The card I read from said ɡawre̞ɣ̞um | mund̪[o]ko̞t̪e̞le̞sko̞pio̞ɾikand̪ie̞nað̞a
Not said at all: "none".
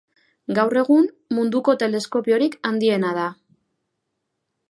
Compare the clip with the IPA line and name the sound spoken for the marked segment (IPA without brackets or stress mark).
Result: u